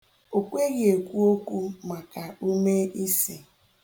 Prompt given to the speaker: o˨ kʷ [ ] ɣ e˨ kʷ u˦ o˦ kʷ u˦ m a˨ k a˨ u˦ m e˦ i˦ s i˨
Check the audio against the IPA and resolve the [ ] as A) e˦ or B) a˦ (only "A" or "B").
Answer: A